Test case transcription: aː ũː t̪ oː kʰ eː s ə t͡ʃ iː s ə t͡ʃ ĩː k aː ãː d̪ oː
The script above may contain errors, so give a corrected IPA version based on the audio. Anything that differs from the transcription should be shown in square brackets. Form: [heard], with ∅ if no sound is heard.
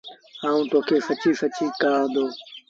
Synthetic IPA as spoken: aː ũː t̪ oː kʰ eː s ə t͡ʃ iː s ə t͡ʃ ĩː k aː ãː d̪ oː

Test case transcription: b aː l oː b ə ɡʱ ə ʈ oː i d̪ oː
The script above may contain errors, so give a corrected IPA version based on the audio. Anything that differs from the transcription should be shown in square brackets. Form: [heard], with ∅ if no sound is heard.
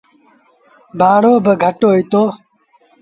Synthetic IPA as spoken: b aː [ɽ] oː b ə ɡʱ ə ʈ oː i [t̪] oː

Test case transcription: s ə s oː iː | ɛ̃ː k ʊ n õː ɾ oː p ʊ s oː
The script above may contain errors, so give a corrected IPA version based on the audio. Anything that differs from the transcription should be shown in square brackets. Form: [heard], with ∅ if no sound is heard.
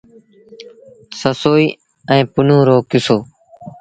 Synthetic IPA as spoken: s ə s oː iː | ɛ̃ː [p] ʊ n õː ɾ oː [k] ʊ s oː

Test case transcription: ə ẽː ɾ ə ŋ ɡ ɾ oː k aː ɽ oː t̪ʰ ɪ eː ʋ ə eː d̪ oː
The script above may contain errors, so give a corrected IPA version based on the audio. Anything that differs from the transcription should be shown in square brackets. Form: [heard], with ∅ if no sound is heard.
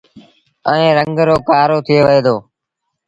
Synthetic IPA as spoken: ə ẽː ɾ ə ŋ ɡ ɾ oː k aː [ɾ] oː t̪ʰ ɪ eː ʋ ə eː d̪ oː

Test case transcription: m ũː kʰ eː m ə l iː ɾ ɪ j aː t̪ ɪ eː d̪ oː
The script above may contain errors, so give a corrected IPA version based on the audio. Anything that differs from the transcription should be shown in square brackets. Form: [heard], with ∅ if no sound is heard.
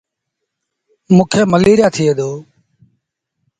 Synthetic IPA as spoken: m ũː kʰ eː m ə l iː ɾ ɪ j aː [t̪ʰ] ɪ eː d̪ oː

